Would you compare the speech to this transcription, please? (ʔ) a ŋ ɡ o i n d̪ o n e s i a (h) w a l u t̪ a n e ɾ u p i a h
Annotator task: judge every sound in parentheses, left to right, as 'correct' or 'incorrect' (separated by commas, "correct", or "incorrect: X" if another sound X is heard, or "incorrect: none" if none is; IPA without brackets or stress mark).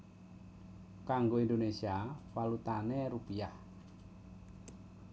incorrect: k, incorrect: none